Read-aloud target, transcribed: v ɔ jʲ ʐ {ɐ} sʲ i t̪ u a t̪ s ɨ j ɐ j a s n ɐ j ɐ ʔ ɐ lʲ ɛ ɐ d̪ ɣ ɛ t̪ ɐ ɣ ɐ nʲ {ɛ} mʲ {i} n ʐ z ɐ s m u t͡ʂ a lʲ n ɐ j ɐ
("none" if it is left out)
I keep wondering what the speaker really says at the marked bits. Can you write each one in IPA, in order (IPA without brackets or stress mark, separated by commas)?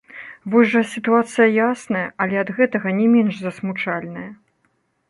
ɐ, ɛ, ɛ